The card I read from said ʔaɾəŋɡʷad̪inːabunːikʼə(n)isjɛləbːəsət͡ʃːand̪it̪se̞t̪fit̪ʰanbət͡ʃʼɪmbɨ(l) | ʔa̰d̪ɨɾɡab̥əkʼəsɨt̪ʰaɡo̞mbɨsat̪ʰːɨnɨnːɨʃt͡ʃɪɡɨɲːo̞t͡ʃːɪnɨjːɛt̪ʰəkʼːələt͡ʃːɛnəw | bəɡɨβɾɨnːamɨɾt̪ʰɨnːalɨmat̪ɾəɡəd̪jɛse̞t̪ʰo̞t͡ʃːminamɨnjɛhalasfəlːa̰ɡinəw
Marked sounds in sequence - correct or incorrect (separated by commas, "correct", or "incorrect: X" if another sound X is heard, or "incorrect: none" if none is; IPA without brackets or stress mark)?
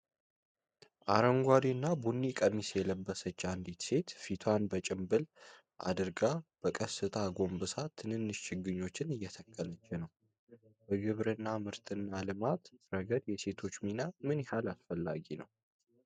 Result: incorrect: m, correct